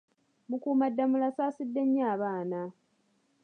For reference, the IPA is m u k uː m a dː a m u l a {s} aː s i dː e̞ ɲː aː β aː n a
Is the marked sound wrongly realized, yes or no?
no